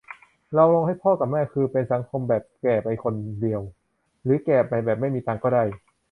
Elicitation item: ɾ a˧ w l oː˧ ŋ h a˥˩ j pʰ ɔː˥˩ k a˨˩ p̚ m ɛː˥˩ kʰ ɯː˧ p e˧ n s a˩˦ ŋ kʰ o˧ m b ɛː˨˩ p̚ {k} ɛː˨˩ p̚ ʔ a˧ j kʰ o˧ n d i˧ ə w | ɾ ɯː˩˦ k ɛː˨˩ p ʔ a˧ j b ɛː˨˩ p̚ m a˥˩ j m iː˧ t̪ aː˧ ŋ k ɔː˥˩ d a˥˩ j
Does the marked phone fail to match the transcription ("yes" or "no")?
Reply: no